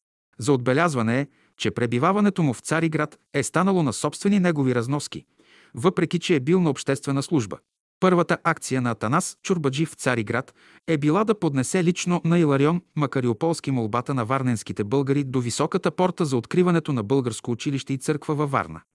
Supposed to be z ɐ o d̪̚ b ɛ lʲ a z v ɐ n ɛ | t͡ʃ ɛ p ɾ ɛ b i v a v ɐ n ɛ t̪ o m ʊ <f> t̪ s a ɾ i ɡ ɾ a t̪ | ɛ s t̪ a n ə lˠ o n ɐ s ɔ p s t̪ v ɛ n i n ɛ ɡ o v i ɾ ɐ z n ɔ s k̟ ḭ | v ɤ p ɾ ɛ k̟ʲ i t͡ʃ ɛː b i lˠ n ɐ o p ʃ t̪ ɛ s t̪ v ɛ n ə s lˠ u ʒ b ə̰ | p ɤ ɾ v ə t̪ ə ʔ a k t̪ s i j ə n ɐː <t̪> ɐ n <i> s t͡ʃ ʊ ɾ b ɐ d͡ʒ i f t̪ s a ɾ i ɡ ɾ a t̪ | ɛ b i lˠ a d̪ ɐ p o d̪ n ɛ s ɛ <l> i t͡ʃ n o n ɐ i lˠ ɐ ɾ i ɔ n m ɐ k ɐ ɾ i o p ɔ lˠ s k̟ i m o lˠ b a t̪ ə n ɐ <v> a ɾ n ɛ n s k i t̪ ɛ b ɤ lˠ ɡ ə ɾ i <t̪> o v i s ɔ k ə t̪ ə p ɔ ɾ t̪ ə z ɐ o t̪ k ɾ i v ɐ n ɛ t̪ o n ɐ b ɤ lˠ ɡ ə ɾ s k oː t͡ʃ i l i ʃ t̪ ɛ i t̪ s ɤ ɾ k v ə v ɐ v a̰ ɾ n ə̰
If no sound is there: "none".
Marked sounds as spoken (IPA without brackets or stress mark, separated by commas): f, t̪, a, l, v, d̪